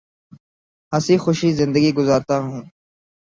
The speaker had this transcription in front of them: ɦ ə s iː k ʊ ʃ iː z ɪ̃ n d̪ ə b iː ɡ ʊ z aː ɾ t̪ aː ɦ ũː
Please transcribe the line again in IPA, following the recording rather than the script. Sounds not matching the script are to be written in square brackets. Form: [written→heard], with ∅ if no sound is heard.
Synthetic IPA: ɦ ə s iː [k→x] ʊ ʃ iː z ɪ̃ n d̪ ə [b→ɡ] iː ɡ ʊ z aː ɾ t̪ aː ɦ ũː